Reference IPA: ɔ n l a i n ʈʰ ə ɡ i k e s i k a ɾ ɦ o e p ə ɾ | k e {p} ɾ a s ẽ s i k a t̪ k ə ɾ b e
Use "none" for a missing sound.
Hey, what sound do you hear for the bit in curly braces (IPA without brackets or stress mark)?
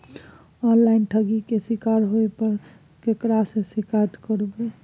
k